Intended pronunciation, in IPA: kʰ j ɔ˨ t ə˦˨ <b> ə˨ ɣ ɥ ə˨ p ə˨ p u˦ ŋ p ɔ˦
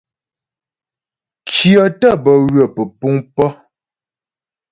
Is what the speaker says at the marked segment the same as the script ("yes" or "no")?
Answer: yes